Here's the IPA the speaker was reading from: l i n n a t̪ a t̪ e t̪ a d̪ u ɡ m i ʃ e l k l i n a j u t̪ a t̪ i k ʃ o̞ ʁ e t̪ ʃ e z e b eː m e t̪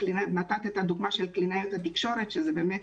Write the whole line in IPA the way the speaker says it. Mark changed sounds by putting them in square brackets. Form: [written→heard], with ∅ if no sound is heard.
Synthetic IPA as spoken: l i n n a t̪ a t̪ e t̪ a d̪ u ɡ m [i→a] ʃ e l k l i n a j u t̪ a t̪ i k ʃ o̞ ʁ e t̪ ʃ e z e b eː m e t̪